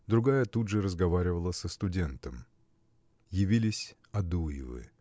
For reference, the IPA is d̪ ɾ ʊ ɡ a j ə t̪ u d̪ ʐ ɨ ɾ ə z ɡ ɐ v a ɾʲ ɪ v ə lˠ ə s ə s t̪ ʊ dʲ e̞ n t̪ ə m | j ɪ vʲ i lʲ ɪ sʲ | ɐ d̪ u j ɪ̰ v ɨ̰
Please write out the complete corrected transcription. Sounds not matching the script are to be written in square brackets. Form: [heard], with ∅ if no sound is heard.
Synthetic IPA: d̪ ɾ ʊ ɡ a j ə t̪ u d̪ ʐ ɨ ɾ ə z ɡ ɐ v a ɾʲ ɪ v ə lˠ ə s ə s t̪ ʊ dʲ e̞ n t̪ ə m | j ɪ vʲ i lʲ ɪ sʲ | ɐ d̪ u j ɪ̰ v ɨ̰